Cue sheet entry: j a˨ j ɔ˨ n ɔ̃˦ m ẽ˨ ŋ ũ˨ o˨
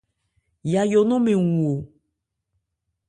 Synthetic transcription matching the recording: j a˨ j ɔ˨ n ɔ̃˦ m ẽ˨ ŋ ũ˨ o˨